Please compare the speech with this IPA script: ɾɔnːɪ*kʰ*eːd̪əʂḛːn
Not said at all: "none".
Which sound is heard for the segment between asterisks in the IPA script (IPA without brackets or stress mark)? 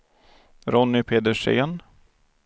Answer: pʰ